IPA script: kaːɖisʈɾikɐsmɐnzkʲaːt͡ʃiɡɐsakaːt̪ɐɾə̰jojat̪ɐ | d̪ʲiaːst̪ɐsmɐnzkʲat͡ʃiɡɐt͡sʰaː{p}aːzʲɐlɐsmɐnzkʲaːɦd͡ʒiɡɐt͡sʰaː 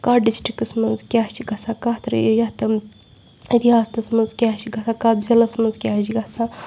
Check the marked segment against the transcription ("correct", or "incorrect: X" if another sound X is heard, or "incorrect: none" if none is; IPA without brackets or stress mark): incorrect: k